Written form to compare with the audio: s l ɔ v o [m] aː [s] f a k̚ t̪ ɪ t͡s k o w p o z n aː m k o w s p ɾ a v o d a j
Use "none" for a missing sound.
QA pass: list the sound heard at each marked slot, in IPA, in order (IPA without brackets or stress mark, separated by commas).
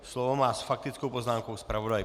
m, s